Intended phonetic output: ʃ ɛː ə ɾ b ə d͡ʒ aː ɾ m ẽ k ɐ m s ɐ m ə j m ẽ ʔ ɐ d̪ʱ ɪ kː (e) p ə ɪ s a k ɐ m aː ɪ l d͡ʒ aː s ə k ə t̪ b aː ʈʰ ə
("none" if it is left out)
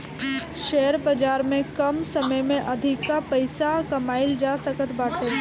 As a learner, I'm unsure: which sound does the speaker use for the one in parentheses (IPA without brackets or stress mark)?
a